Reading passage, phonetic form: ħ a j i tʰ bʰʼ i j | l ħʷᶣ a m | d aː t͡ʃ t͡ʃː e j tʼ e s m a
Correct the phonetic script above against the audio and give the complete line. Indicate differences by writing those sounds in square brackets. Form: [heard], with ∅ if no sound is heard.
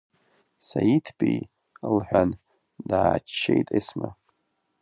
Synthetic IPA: [s] a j i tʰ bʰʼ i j | l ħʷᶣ a [n] | d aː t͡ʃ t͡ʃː e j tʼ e s m a